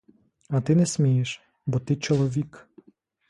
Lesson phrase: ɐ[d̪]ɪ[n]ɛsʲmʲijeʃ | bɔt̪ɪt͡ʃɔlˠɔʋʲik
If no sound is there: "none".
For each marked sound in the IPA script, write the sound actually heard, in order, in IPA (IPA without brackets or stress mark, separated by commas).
t̪, n